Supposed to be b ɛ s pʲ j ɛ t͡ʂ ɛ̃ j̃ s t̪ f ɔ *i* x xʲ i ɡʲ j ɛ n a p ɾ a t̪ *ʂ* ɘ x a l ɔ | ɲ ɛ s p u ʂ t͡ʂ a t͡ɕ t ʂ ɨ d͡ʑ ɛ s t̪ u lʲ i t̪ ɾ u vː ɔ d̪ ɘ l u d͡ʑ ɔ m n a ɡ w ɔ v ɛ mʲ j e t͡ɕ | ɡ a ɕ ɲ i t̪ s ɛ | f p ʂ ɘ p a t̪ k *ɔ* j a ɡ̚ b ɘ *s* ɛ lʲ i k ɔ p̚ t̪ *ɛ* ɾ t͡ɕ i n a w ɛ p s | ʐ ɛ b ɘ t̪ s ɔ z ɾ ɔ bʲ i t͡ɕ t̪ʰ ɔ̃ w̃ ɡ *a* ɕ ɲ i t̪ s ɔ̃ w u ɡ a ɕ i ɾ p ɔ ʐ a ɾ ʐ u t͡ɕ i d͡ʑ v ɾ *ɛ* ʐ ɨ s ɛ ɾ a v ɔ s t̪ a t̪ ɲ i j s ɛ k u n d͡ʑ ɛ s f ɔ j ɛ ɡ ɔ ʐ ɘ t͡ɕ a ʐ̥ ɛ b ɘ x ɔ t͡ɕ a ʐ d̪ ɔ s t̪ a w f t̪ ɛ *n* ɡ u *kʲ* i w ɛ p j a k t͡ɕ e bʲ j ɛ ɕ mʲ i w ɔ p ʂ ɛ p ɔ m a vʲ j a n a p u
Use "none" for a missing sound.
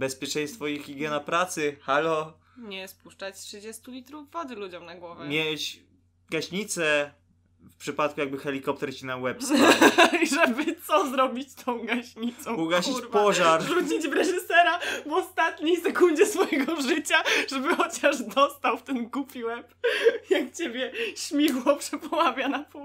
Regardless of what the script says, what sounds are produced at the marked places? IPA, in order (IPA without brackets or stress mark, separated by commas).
i, s, u, x, ɛ, a, ɛ, n, pʲ